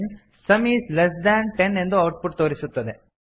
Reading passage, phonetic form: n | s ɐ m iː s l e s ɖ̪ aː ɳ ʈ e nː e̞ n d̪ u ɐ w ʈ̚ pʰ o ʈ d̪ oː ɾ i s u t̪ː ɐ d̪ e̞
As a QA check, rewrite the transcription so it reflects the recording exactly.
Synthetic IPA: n | s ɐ m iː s l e s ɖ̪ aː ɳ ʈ e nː e̞ n d̪ u ɐ w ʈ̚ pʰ u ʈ t̪ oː ɾ i s u t̪ː ɐ d̪ e̞